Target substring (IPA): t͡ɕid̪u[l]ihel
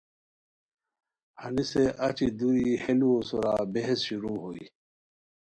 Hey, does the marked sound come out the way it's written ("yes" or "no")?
no